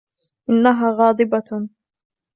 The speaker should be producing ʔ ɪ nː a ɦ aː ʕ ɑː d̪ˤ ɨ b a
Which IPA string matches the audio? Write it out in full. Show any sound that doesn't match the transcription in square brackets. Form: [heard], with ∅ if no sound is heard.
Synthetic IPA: ʔ ɪ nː a ɦ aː [ɣ] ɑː d̪ˤ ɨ b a